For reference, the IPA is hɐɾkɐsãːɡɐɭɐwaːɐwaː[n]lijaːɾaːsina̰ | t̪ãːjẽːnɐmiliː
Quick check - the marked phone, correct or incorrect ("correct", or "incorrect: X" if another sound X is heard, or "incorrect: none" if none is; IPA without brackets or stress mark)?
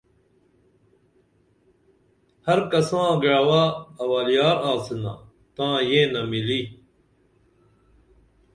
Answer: incorrect: none